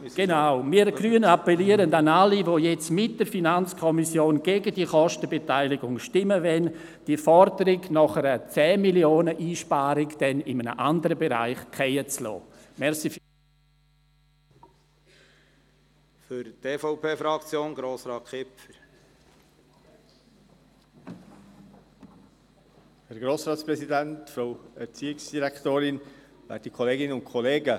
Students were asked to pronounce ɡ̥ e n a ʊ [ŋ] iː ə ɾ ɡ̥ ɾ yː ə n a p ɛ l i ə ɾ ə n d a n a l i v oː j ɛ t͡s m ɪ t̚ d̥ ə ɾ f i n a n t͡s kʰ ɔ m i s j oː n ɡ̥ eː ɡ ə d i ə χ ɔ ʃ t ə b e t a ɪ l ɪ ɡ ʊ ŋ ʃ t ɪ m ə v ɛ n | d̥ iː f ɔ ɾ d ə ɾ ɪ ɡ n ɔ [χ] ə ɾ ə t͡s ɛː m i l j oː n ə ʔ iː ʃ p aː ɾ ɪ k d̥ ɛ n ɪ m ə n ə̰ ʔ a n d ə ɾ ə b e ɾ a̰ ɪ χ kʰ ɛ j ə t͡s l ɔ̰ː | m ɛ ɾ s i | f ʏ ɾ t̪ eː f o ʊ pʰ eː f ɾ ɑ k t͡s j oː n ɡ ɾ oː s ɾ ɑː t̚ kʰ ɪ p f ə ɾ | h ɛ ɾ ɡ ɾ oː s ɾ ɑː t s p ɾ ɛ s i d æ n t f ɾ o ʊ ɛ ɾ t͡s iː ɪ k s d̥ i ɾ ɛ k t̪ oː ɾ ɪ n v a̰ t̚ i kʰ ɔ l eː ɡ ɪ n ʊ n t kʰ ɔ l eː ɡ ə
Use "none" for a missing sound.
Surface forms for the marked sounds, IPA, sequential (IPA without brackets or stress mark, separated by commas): m, χ